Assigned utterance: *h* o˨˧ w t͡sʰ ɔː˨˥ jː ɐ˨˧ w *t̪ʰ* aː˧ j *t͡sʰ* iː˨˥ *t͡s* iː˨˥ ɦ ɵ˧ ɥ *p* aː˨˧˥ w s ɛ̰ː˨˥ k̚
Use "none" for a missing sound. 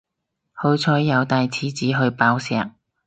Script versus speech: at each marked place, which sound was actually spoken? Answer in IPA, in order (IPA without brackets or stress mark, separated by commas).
h, t̪, t͡sʰ, t͡s, p